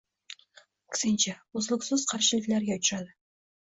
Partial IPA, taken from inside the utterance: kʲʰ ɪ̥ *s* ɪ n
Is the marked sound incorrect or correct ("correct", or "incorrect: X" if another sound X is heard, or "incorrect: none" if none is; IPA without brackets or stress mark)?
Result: correct